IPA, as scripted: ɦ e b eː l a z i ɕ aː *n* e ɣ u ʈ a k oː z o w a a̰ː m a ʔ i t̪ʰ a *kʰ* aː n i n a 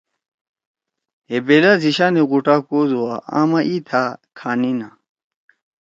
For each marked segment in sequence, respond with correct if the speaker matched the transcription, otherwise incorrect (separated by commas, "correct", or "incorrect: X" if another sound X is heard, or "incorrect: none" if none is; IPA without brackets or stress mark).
correct, correct